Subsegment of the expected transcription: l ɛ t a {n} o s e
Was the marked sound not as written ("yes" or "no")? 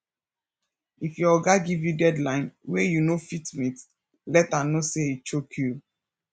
no